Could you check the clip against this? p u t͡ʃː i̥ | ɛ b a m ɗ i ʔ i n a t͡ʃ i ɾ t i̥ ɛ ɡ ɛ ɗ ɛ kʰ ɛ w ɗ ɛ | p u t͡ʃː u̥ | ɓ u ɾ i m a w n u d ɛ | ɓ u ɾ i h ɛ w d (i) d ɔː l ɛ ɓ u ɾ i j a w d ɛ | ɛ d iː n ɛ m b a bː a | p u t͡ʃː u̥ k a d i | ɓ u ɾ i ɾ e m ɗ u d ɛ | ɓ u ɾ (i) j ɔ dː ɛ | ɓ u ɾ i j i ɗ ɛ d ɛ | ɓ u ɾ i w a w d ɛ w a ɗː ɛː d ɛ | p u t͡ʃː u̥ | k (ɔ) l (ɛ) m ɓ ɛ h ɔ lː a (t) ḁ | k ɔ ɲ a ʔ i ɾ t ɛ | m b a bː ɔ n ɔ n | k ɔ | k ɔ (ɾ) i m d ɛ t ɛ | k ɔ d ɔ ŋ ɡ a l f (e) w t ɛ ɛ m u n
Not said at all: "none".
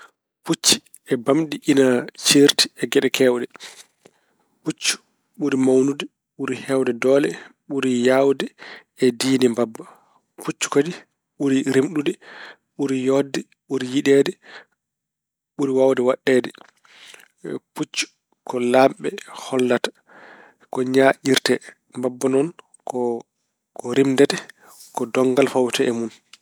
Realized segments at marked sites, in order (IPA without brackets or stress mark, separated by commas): ɛ, i, ɔ, a, t, ɾ, a